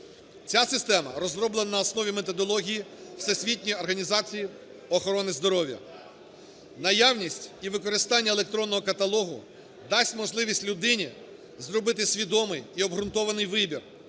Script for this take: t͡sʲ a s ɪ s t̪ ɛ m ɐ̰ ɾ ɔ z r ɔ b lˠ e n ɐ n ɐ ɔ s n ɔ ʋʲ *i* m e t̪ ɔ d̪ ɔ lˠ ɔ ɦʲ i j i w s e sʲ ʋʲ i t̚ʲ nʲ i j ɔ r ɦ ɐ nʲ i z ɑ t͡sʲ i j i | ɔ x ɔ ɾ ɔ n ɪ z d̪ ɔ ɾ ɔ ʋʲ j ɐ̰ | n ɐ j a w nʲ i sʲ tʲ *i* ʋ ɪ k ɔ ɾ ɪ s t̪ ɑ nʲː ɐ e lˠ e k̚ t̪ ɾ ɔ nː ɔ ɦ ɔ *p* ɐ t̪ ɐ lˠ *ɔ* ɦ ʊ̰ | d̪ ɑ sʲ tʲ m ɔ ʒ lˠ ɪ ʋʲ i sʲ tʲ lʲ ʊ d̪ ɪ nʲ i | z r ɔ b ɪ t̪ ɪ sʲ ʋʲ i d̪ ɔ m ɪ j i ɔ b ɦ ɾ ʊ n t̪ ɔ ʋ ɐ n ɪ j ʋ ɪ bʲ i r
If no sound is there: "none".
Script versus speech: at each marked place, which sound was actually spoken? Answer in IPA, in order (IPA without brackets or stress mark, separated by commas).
i, i, k, ɔ